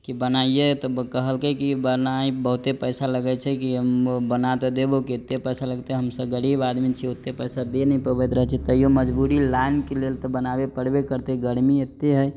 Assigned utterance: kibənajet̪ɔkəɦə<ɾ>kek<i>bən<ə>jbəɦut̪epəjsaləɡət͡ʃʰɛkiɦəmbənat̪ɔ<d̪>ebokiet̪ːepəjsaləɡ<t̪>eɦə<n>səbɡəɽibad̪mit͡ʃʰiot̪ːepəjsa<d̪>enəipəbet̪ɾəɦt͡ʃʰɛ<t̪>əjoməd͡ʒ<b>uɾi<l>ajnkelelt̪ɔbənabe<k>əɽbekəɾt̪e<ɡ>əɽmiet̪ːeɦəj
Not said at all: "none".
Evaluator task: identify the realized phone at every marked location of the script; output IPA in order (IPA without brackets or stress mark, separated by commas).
l, i, a, d̪, t̪, m, d̪, t̪, b, l, p, ɡ